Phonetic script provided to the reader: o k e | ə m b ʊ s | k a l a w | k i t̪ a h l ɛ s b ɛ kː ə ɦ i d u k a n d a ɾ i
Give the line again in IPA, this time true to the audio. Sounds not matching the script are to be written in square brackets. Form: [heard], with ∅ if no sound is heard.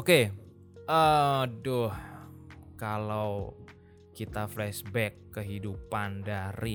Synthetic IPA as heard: o k e | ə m [d] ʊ [h] | k a l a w | k i t̪ a [f] l ɛ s b ɛ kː ə ɦ i d u [p] a n d a ɾ i